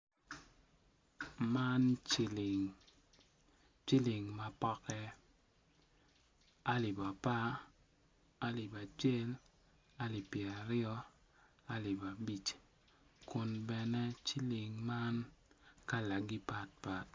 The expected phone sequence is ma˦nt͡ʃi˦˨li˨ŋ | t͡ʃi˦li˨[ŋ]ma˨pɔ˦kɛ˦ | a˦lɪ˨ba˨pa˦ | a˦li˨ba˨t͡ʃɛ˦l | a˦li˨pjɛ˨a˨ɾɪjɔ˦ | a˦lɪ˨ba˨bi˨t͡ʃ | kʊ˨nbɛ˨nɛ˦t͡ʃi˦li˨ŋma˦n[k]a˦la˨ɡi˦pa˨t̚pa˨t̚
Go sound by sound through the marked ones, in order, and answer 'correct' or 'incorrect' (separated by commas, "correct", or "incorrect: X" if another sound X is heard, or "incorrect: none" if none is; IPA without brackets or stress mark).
correct, correct